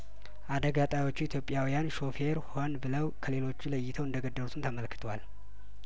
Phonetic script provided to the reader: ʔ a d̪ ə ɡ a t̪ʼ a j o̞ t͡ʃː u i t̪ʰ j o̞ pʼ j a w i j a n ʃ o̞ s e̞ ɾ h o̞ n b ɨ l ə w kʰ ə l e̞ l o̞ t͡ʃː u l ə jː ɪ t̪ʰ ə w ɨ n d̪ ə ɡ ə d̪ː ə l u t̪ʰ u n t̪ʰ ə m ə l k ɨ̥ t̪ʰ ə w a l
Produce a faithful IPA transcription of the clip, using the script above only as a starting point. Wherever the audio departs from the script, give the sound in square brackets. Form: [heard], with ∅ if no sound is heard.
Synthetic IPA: ʔ a d̪ ə ɡ a t̪ʼ a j o̞ t͡ʃː u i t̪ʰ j o̞ pʼ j a w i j a n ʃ o̞ [f] e̞ ɾ h o̞ n b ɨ l ə w kʰ ə l e̞ l o̞ t͡ʃː u l ə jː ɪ t̪ʰ ə w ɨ n d̪ ə ɡ ə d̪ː ə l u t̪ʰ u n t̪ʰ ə m ə l k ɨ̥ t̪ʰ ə w a l